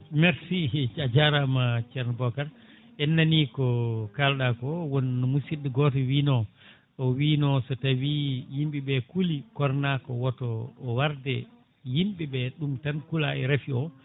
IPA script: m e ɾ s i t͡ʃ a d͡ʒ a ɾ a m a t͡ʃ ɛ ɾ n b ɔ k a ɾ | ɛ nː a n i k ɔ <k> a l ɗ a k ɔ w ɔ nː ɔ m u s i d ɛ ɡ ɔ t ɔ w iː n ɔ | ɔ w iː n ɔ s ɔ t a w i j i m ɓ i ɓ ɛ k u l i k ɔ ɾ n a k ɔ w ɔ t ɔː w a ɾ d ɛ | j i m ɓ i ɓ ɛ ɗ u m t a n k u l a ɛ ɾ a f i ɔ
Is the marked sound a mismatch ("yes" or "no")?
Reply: no